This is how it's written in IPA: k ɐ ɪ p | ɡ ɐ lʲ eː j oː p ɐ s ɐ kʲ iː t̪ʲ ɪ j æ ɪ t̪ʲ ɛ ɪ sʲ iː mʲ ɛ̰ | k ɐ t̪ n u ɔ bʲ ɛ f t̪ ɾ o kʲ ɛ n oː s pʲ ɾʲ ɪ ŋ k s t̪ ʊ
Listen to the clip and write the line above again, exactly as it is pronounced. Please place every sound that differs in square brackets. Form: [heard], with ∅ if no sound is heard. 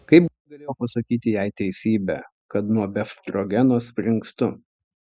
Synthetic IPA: k ɐ ɪ p | ɡ ɐ lʲ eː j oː p ɐ s ɐ kʲ iː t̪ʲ ɪ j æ ɪ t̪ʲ ɛ ɪ sʲ iː [bʲ] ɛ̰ | k ɐ t̪ n u ɔ bʲ ɛ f t̪ ɾ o [ɡʲ] ɛ n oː s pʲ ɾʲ ɪ ŋ k s t̪ ʊ